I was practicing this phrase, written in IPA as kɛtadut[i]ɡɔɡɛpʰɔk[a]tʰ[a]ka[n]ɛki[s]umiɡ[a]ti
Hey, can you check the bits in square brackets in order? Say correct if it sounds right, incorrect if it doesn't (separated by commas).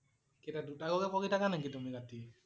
incorrect, incorrect, correct, correct, incorrect, correct